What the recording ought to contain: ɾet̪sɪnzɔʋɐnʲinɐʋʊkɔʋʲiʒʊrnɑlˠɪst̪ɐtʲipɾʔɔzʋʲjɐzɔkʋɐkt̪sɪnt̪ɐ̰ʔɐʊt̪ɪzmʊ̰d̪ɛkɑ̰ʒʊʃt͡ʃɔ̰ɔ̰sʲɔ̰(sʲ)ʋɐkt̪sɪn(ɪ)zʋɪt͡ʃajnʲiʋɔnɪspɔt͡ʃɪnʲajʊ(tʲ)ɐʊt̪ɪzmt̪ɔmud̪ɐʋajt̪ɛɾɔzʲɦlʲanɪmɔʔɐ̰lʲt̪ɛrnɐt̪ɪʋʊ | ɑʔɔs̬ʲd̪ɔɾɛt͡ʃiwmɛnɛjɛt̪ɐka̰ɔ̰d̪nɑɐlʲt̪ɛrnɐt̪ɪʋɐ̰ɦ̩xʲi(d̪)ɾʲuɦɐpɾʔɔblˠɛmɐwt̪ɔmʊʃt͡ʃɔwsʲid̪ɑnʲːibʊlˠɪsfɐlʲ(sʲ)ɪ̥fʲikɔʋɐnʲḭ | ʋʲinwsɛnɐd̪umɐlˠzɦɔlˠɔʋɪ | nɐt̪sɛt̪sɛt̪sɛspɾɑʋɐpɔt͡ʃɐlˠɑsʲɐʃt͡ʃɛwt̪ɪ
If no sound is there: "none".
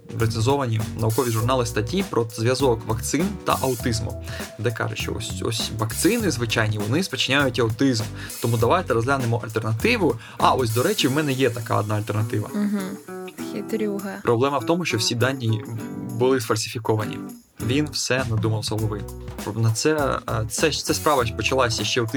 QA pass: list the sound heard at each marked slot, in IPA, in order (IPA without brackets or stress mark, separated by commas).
sʲ, ɪ, tʲ, t̪, sʲ